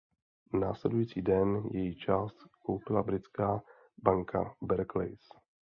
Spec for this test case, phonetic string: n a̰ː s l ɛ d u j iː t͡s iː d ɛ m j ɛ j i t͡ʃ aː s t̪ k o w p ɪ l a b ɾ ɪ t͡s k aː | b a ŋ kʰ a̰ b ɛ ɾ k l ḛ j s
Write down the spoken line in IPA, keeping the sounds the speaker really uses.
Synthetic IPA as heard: n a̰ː s l ɛ d u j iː t͡s iː d ɛ n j ɛ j i t͡ʃ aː s t̪ k o w p ɪ l a b ɾ ɪ t͡s k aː | b a ŋ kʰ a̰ b ɛ ɾ k l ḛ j s